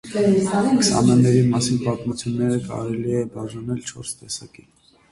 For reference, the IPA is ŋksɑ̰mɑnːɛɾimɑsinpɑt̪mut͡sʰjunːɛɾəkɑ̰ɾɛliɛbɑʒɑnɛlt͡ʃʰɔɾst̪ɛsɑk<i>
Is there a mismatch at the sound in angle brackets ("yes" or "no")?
no